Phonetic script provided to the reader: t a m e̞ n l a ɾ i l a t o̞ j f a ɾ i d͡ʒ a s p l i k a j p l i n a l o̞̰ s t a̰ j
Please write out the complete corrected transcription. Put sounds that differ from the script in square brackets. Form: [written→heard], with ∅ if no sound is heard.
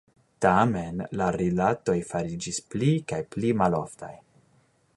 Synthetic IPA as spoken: t a m e̞ n l a ɾ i l a t o̞ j f a ɾ i d͡ʒ [a→i] s p l i k a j p l i [n→m] a l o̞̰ [s→f] t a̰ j